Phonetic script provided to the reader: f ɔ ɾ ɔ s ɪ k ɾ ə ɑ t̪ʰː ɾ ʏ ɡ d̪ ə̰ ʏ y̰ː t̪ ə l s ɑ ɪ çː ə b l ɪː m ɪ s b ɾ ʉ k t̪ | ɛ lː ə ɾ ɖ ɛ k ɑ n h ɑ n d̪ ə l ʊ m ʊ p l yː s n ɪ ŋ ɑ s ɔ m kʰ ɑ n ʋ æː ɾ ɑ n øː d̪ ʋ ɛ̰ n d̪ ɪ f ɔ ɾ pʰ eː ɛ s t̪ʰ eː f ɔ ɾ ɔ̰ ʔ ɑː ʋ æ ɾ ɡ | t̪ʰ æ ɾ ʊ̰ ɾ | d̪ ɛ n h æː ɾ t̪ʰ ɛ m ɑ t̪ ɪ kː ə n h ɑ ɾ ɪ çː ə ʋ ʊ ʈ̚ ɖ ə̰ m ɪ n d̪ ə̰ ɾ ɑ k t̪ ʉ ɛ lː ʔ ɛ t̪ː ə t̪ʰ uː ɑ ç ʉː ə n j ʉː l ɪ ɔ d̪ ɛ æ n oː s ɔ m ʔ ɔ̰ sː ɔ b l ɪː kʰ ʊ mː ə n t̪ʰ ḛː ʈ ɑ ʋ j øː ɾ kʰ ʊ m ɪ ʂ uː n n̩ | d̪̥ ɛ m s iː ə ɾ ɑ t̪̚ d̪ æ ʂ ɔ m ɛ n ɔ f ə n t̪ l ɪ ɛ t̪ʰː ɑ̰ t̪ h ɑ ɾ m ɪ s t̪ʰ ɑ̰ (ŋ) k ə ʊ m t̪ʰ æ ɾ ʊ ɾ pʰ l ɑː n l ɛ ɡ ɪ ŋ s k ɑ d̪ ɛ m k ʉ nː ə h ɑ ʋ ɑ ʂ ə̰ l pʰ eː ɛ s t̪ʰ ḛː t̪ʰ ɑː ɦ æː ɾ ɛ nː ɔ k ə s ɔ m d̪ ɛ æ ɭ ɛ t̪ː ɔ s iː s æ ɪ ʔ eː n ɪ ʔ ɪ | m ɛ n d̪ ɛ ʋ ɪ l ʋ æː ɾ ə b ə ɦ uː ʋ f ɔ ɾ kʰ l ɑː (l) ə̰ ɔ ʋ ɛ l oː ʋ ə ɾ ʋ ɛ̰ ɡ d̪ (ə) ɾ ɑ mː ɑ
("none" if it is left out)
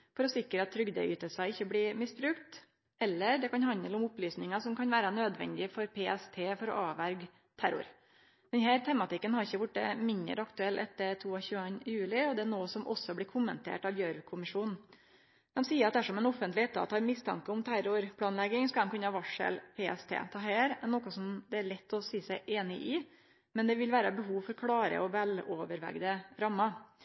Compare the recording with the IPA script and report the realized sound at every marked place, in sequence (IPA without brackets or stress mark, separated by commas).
ŋ, ɾ, ə